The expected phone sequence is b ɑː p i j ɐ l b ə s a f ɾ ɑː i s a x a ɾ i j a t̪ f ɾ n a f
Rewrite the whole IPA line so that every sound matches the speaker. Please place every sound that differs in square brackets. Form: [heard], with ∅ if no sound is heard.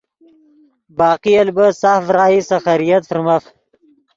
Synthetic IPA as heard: b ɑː [q] i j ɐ l b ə s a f ɾ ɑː i s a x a ɾ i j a t̪ f ɾ [m] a f